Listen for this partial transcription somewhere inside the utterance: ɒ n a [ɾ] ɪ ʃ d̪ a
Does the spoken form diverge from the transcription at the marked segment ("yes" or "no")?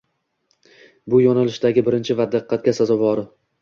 yes